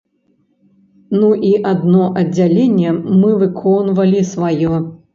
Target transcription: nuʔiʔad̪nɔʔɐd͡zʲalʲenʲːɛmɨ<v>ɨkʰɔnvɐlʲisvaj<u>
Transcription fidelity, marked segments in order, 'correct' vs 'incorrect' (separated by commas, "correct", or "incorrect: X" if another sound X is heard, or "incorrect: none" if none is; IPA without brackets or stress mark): correct, incorrect: ɔ